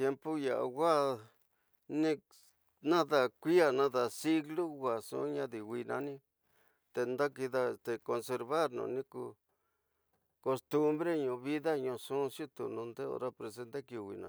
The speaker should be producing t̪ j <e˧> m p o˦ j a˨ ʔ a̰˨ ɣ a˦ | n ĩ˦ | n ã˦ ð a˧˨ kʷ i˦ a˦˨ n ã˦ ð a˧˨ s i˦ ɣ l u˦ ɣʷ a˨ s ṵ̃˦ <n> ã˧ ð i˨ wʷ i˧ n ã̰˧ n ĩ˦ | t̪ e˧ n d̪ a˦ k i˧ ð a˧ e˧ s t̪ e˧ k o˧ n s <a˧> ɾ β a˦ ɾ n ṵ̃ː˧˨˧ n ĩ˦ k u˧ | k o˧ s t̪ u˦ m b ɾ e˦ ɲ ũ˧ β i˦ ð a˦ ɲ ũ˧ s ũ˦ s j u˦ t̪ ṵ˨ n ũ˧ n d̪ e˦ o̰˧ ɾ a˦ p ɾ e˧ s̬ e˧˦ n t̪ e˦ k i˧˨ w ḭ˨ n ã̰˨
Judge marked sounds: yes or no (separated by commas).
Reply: yes, no, no